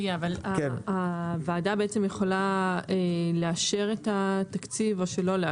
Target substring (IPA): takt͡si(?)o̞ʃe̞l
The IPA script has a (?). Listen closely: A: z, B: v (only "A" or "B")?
B